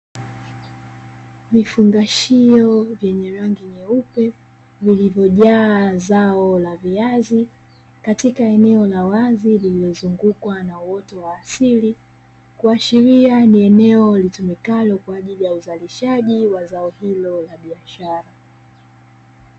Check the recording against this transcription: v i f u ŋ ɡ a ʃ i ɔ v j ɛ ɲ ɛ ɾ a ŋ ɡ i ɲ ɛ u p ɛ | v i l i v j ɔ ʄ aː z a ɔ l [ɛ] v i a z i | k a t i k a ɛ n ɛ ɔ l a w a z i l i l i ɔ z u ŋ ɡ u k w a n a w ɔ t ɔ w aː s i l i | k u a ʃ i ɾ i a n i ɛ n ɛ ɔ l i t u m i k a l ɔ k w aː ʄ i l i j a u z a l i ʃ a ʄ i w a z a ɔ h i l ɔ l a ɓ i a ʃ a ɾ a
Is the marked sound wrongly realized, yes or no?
yes